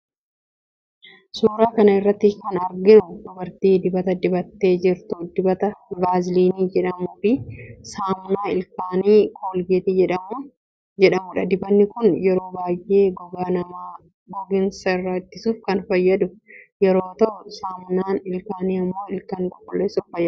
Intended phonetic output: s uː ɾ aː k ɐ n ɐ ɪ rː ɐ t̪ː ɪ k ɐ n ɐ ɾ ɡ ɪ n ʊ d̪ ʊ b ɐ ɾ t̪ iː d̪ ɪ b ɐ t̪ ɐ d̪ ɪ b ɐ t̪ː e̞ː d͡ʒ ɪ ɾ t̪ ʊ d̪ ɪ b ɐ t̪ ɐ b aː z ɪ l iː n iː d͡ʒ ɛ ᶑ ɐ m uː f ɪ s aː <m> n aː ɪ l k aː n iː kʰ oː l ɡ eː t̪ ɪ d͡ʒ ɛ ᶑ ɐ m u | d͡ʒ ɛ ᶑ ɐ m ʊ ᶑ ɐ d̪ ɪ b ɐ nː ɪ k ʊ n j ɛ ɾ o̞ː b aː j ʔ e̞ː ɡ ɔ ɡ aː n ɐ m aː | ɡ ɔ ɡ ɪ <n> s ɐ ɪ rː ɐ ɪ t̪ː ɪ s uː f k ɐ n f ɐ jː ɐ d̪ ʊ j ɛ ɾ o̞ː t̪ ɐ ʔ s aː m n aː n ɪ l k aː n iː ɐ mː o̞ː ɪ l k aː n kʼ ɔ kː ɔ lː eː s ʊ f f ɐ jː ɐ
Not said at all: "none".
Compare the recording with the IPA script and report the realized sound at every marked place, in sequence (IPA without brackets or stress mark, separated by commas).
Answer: m, n